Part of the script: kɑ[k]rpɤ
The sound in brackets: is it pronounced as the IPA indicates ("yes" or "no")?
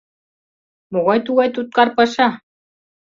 no